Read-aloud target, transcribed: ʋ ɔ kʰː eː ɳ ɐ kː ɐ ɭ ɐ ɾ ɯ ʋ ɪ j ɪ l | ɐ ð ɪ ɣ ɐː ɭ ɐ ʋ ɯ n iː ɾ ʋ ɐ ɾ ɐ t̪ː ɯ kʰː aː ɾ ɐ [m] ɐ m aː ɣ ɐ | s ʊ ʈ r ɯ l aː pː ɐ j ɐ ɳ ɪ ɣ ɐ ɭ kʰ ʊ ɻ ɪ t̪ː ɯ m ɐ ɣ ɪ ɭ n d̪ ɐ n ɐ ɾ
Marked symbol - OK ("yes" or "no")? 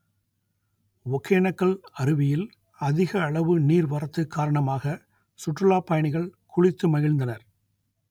no